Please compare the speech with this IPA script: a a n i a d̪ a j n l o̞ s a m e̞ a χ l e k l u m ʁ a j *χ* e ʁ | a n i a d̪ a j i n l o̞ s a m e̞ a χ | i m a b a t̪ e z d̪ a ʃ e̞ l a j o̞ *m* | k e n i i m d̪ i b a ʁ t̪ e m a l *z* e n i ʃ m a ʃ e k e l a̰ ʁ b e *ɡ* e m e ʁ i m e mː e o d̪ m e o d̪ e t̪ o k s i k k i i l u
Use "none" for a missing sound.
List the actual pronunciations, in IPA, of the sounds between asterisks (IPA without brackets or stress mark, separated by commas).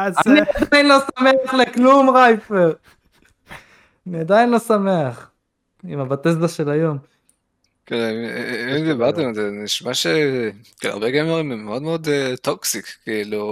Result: f, m, z, ɡ